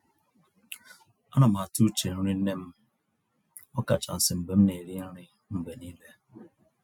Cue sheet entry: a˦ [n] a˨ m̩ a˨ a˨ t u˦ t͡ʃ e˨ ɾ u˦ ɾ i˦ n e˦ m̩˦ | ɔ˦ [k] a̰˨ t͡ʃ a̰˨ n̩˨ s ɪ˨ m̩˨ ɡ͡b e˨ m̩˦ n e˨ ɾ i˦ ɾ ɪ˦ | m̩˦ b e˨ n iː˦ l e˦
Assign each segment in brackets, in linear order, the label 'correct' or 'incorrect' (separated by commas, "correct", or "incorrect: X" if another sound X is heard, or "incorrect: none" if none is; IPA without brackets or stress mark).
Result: correct, correct